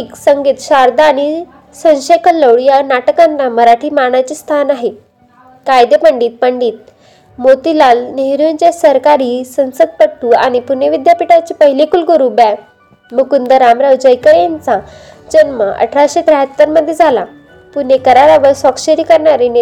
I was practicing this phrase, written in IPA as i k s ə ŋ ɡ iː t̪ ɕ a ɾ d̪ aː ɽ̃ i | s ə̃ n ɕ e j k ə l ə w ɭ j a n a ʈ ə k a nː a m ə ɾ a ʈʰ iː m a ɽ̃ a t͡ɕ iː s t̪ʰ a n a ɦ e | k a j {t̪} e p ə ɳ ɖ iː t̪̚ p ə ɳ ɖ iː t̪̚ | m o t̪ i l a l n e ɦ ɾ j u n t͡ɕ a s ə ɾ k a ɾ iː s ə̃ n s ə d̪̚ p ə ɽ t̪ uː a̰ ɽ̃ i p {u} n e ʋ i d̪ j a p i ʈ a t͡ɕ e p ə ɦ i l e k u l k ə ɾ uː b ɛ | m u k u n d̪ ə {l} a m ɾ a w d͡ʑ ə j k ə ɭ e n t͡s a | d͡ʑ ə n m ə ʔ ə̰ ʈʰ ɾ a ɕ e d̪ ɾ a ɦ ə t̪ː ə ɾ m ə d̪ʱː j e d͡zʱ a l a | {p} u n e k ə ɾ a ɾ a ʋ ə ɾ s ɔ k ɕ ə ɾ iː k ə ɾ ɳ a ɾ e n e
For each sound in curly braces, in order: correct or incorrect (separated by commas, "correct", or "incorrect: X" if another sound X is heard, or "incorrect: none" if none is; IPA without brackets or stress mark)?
incorrect: d̪, correct, incorrect: ɾ, correct